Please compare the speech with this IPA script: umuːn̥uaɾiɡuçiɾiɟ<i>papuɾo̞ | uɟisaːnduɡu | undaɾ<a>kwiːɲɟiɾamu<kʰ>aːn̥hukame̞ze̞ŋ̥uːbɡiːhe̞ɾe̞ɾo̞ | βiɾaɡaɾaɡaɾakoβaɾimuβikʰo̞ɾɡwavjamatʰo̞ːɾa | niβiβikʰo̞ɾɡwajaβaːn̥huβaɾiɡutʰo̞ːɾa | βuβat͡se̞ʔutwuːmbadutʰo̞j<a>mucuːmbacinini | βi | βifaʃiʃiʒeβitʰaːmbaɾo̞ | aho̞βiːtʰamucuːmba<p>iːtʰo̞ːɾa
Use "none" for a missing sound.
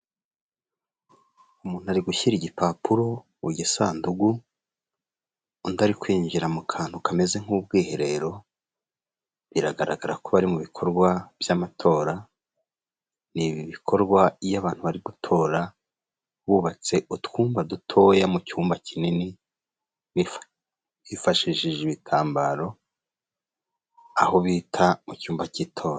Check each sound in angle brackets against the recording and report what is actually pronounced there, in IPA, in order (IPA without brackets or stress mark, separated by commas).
i, i, kʰ, a, c